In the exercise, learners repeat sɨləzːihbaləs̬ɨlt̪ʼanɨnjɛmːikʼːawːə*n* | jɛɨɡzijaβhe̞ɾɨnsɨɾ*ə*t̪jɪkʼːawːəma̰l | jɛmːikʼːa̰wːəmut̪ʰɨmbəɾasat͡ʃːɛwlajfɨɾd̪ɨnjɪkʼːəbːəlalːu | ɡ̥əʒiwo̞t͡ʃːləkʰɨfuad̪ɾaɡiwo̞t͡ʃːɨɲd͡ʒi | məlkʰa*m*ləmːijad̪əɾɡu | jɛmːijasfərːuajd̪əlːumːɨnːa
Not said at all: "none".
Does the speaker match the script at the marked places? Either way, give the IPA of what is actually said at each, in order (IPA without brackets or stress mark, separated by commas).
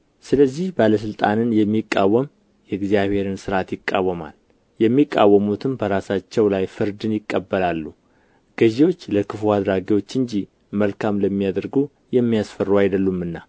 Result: m, a, m